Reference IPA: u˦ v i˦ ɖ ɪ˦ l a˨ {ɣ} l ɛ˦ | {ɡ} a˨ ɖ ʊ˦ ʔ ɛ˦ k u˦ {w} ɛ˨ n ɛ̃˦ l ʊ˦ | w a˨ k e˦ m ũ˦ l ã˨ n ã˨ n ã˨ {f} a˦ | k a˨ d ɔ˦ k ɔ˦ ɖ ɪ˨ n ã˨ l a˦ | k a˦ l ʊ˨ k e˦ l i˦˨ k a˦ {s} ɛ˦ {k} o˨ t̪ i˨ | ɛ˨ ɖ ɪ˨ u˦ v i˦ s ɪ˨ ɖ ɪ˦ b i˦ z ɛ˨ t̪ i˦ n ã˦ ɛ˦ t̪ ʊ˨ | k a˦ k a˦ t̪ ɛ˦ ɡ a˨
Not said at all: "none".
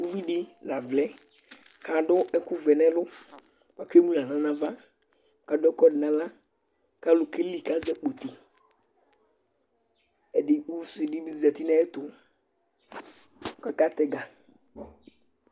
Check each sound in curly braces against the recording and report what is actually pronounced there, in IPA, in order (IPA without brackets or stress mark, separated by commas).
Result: v, k, v, v, z, k͡p